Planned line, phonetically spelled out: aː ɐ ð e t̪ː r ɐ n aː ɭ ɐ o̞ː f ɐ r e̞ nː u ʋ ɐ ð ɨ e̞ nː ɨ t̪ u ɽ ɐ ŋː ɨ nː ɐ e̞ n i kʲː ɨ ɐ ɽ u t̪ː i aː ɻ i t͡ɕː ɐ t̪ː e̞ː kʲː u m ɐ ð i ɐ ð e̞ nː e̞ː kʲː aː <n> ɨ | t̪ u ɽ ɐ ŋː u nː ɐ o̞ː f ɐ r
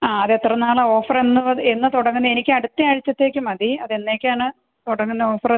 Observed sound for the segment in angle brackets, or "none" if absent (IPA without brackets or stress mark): ɳ